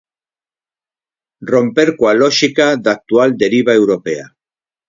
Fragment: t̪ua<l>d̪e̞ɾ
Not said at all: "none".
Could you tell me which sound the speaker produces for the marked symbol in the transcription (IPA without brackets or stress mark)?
l